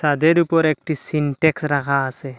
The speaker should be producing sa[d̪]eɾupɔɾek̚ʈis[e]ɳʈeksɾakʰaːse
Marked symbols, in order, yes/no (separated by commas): yes, no